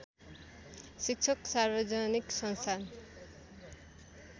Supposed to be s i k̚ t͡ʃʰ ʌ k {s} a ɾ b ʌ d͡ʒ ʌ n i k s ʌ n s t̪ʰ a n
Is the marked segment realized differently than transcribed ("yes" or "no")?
no